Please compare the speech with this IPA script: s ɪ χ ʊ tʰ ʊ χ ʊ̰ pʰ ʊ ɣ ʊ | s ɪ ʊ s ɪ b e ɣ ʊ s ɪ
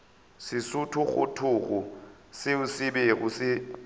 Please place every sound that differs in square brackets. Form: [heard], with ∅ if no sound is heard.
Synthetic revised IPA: s ɪ [s] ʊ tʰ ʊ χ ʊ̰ [tʰ] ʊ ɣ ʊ | s ɪ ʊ s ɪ b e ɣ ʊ s ɪ